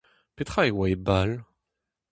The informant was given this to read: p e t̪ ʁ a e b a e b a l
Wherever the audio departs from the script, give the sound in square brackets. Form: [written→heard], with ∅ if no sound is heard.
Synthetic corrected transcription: p e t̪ [ʁ→χ] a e [b→w] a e b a l